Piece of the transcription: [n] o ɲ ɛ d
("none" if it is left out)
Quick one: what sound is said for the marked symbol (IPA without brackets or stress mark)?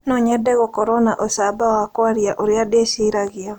n